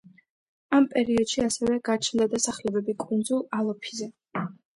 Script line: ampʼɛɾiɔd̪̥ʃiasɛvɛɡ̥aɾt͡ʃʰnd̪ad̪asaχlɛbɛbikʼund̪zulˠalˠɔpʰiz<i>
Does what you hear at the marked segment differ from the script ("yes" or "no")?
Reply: yes